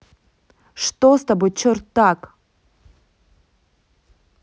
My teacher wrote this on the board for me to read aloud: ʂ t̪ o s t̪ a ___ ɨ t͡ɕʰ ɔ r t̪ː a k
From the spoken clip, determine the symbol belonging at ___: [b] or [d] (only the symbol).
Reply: b